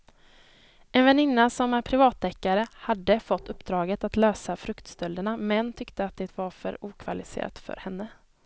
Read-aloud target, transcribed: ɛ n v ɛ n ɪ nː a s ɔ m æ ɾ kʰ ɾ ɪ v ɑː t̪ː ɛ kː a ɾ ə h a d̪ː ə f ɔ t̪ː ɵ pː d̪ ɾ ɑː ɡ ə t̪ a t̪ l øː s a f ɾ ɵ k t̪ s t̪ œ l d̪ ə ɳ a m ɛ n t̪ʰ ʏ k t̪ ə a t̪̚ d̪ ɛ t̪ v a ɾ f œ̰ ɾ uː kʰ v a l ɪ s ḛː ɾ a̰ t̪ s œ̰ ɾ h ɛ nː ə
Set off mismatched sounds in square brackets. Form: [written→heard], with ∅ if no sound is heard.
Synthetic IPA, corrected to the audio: ɛ n v ɛ n ɪ nː a s ɔ m æ ɾ [kʰ→pʰ] ɾ ɪ v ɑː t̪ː ɛ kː a ɾ ə h a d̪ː ə f ɔ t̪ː ɵ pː d̪ ɾ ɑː ɡ ə t̪ a t̪ l øː s a f ɾ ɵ k t̪ s t̪ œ l d̪ ə ɳ a m ɛ n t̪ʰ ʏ k t̪ ə a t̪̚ d̪ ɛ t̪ v a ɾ f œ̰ ɾ uː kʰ v a l ɪ s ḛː ɾ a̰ t̪ [s→f] œ̰ ɾ h ɛ nː ə